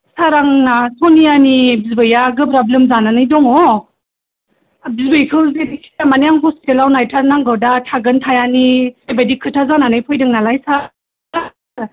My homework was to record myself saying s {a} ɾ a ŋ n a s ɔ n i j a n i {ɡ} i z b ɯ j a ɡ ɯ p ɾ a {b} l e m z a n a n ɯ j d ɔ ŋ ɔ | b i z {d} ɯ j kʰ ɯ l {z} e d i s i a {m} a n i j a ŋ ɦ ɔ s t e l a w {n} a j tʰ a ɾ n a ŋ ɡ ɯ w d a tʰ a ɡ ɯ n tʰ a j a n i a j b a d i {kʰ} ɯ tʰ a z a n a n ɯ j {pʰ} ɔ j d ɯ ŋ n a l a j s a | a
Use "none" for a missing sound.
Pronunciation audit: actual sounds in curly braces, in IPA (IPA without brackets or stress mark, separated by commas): a, b, b, b, z, m, n, kʰ, pʰ